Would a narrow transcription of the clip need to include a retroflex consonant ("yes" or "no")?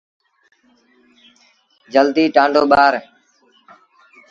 yes